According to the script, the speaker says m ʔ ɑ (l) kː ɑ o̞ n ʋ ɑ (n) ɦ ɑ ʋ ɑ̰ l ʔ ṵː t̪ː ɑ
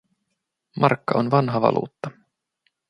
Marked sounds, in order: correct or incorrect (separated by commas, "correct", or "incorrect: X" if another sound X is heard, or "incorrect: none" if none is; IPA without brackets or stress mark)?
incorrect: r, correct